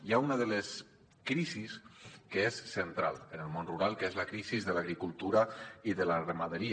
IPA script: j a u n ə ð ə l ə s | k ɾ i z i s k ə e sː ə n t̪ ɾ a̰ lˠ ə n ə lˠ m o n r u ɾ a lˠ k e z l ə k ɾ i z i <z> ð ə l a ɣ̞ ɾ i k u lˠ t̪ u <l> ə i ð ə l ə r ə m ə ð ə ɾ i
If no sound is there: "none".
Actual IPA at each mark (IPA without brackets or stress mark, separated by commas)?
z, ɾ